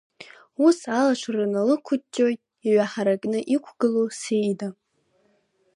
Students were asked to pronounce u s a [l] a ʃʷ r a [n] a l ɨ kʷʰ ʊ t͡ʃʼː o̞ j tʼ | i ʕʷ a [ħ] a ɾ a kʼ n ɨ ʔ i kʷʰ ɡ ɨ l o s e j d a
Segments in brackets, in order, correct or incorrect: correct, correct, correct

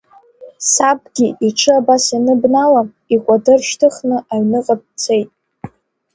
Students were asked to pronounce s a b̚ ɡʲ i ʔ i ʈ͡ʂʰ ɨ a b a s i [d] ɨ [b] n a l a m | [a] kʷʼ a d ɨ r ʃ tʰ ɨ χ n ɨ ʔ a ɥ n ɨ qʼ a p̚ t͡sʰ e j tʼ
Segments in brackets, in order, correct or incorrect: incorrect, correct, incorrect

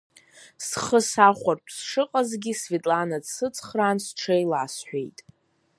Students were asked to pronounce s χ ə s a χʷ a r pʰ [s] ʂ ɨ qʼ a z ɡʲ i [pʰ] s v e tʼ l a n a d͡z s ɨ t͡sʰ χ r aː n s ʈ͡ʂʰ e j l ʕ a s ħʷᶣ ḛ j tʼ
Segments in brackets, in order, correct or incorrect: correct, incorrect

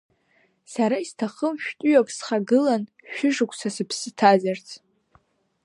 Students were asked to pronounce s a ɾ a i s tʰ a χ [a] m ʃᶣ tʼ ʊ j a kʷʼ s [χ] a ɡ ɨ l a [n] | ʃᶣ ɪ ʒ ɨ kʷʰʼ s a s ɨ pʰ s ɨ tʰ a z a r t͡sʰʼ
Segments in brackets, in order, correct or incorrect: incorrect, correct, correct

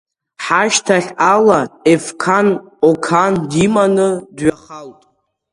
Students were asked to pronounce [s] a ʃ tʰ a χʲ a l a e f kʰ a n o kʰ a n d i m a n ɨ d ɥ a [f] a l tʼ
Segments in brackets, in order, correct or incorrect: incorrect, incorrect

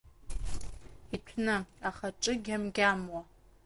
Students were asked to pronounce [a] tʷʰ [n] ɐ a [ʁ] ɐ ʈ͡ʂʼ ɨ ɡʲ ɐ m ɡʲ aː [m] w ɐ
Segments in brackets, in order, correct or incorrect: incorrect, correct, incorrect, correct

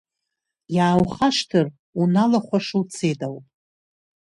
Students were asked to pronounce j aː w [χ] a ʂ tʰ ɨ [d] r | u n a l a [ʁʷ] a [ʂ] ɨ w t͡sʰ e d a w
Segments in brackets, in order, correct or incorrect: correct, incorrect, incorrect, correct

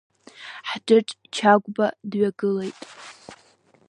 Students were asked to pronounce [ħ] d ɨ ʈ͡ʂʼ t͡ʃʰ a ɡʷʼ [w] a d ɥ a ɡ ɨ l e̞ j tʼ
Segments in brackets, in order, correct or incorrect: correct, incorrect

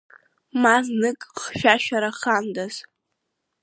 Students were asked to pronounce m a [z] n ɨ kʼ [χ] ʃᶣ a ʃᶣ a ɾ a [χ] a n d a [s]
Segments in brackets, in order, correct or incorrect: correct, correct, correct, incorrect

